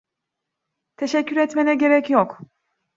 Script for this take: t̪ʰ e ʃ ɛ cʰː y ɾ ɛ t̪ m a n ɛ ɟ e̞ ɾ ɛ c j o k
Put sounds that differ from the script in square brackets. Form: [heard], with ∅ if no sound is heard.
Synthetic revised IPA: t̪ʰ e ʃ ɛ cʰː y ɾ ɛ t̪ m [e] n ɛ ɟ e̞ ɾ ɛ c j o k